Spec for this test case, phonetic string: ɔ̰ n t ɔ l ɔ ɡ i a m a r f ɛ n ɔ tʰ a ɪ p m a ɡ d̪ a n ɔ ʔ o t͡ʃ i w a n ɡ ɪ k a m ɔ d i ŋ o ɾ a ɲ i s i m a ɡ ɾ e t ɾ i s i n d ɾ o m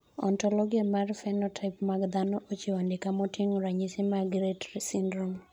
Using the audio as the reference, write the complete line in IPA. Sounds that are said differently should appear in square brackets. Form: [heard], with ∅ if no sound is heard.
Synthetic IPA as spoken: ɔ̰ n t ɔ l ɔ ɡ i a m a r f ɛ n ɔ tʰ a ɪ p m a ɡ d̪ a n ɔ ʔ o t͡ʃ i w a n [d] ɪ k a m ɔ [t] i ŋ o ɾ a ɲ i s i m a ɡ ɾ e t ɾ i s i n d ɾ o m

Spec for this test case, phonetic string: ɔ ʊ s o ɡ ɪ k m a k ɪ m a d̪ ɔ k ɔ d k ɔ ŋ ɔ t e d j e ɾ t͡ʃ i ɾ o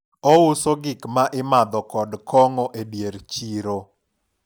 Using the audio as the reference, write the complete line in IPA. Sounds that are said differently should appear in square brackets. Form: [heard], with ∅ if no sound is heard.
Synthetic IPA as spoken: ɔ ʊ s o ɡ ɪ k m a [ʔ] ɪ m a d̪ ɔ k ɔ d k ɔ ŋ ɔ [ʔ] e d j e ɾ t͡ʃ i ɾ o

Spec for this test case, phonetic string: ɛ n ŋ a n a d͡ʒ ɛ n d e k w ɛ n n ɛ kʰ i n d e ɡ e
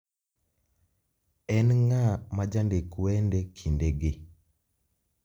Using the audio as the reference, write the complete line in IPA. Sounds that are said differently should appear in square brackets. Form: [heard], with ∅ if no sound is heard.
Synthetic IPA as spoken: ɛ n ŋ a [m] a d͡ʒ [a] n d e k w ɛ n [d] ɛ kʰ i n d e ɡ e

